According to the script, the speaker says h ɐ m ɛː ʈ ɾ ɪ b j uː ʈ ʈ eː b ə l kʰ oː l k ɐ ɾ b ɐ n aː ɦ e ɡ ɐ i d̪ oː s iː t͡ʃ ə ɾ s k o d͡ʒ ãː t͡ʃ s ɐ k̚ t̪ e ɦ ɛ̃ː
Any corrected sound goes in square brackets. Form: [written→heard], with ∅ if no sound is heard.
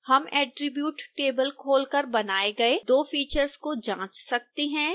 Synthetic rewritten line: h ɐ m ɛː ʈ ɾ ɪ b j uː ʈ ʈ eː b ə l kʰ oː l k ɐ ɾ b ɐ n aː [ɦ→∅] e ɡ ɐ [i→e] d̪ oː [s→f] iː t͡ʃ ə ɾ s k o d͡ʒ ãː t͡ʃ s ɐ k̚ t̪ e ɦ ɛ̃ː